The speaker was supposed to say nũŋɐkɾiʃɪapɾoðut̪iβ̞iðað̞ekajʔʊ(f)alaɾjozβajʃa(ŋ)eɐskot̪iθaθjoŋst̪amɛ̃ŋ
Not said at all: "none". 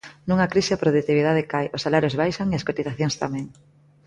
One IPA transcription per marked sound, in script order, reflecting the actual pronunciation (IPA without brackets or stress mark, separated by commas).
s, ŋ